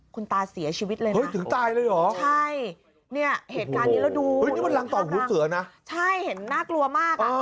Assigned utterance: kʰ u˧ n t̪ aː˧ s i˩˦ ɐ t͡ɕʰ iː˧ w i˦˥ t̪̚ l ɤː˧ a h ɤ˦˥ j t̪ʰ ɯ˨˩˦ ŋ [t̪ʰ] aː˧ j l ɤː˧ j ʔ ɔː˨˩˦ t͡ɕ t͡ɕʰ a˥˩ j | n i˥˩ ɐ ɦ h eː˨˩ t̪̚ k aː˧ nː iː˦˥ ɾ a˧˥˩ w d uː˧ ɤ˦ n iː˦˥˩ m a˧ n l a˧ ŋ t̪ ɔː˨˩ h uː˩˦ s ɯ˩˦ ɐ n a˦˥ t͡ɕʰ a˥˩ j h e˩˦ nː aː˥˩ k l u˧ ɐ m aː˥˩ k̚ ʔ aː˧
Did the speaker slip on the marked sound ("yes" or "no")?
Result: yes